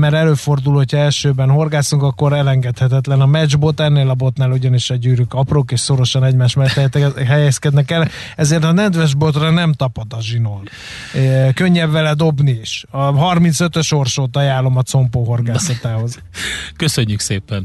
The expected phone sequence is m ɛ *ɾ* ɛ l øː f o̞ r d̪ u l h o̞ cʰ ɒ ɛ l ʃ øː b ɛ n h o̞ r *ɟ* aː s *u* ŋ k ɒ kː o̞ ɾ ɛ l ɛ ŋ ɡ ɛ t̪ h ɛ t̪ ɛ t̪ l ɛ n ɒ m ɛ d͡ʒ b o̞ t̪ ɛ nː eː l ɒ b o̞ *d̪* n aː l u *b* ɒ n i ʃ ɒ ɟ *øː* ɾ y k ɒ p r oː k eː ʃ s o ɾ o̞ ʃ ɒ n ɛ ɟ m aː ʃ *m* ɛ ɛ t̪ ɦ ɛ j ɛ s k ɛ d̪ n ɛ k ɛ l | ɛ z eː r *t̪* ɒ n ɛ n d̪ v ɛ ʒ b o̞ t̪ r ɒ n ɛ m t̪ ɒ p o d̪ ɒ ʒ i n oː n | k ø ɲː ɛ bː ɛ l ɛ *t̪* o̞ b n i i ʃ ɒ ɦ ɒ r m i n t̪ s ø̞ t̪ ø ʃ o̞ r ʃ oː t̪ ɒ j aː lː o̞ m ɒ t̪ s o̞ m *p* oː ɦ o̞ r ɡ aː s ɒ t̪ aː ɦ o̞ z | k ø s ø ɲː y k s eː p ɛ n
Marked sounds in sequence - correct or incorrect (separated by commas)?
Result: correct, incorrect, correct, incorrect, incorrect, incorrect, correct, correct, incorrect, correct